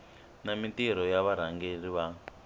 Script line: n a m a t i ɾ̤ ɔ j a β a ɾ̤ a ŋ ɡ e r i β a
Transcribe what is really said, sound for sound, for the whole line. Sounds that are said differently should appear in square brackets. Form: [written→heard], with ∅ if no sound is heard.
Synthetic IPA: n a m [a→i] t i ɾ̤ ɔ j a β a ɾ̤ a ŋ ɡ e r i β a